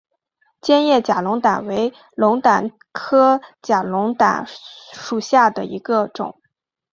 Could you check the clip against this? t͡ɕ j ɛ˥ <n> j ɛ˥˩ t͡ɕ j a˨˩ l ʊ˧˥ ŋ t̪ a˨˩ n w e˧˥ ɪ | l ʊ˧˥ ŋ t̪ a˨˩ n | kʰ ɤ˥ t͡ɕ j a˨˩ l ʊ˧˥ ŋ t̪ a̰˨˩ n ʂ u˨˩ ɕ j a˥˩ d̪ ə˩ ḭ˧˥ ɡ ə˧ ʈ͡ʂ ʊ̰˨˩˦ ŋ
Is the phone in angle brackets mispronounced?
no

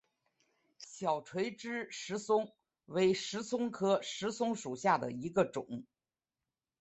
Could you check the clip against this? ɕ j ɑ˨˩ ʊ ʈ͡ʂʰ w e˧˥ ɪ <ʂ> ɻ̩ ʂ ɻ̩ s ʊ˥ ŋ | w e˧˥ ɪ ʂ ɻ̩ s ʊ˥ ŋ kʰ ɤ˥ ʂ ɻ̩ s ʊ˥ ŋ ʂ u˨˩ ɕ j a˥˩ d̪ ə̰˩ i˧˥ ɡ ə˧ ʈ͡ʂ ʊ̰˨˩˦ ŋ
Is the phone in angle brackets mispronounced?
yes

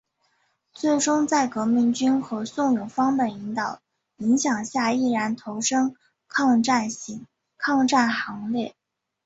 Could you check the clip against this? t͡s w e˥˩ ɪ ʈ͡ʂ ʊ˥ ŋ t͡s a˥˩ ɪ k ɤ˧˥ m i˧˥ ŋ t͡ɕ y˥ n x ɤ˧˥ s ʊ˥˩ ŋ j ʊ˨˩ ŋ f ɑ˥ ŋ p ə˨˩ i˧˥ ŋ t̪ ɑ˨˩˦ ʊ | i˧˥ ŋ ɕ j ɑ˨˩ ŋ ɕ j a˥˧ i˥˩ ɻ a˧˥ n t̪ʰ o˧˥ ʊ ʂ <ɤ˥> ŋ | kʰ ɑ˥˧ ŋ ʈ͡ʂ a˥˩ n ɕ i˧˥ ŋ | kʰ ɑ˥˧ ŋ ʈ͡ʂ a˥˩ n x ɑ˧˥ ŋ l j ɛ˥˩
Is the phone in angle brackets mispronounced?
no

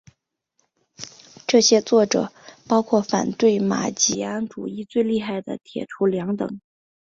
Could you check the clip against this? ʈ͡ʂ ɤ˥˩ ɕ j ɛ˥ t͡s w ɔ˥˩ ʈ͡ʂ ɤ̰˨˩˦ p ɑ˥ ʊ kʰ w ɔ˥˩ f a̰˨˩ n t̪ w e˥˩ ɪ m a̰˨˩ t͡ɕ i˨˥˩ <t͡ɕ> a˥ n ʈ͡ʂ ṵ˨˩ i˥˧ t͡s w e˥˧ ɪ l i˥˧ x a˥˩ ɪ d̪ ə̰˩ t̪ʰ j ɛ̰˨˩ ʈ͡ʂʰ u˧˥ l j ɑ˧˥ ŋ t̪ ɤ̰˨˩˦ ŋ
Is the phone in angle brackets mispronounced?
yes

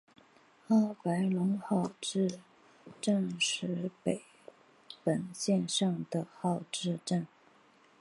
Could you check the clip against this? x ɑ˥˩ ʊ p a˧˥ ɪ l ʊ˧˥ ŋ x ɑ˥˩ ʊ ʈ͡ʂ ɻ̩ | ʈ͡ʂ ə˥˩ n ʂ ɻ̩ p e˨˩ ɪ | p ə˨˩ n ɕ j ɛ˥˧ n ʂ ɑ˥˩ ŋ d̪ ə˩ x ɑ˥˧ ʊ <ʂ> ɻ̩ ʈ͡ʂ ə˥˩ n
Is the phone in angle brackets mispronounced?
yes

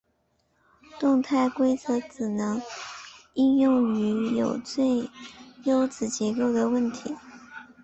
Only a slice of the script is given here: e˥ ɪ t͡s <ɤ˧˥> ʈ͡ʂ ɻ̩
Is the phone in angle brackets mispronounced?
no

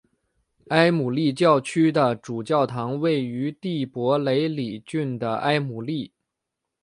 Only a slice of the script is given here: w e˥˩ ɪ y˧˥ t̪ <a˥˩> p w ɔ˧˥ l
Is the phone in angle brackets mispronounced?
yes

